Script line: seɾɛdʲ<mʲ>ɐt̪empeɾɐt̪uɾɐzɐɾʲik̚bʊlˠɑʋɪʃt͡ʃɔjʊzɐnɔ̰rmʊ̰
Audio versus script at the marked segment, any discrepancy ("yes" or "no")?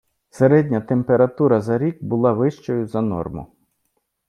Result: yes